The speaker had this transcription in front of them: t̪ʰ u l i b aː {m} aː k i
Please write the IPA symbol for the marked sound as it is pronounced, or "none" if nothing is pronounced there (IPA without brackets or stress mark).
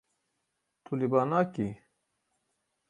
n